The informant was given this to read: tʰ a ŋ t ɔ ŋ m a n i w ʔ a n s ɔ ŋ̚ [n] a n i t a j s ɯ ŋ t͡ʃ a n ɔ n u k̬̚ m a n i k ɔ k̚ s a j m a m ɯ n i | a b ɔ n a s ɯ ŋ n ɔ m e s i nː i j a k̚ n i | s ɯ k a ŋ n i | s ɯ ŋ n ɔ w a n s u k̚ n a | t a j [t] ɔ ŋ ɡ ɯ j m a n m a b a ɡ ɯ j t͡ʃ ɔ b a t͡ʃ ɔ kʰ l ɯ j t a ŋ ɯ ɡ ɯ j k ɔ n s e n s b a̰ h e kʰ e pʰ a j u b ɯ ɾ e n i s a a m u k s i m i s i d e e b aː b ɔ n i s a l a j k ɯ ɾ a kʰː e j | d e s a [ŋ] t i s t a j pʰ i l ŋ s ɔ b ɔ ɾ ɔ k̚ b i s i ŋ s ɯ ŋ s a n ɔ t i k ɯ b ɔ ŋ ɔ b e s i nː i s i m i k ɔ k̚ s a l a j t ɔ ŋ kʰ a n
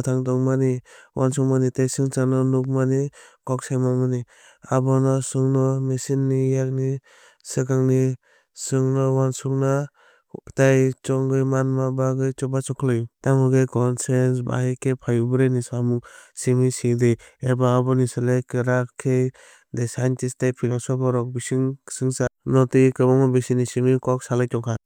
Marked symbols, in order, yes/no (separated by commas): no, no, no